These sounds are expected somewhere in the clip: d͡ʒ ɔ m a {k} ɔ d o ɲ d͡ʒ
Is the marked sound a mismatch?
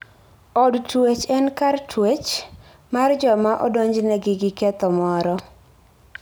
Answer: yes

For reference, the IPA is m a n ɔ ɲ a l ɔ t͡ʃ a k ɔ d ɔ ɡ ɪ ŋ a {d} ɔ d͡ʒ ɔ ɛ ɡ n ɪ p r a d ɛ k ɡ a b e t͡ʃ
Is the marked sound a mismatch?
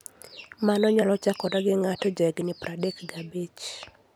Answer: yes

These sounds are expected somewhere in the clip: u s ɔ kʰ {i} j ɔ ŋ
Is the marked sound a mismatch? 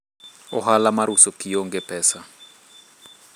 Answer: no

